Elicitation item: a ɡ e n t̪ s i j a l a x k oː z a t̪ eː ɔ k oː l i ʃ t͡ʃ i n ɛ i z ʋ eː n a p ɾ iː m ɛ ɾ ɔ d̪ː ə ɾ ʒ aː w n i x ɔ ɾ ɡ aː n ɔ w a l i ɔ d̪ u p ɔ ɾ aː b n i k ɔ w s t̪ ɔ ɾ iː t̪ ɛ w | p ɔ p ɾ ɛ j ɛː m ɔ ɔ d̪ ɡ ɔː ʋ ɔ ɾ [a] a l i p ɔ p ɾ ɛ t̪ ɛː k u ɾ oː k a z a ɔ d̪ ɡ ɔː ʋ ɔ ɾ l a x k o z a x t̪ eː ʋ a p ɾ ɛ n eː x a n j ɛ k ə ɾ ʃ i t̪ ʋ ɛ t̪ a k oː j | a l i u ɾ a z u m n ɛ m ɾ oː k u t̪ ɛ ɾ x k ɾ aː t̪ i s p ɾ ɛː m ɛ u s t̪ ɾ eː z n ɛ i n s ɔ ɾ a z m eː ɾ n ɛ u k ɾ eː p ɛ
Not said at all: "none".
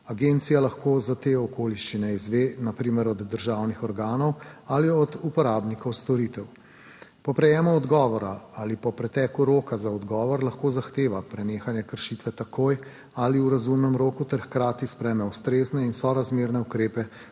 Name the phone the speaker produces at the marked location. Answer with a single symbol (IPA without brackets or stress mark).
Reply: a